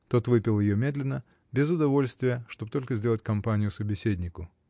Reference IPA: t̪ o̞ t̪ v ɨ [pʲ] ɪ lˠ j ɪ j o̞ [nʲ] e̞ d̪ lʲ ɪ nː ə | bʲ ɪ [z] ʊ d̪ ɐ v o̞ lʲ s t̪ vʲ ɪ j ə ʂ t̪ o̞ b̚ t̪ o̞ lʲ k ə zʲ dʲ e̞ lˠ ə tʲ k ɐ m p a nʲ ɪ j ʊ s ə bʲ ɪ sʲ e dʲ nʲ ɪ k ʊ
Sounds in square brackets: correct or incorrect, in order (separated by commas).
correct, incorrect, correct